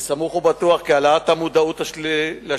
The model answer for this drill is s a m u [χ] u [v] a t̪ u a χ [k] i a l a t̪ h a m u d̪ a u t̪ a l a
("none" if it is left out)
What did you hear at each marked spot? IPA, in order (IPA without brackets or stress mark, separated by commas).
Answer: χ, b, k